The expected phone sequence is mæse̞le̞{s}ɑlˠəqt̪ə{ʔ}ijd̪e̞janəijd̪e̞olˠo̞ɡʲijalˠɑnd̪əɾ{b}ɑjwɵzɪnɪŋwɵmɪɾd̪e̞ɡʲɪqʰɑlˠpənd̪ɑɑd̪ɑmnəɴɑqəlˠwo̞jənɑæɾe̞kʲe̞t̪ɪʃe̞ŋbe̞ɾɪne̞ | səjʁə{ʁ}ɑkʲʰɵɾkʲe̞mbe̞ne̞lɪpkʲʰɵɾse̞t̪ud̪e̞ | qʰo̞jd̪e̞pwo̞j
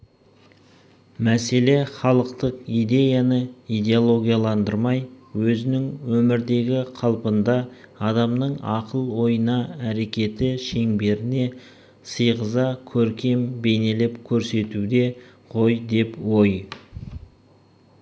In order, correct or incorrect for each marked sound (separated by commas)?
incorrect, incorrect, incorrect, incorrect